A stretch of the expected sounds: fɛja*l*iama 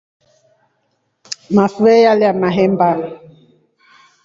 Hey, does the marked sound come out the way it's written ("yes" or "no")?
yes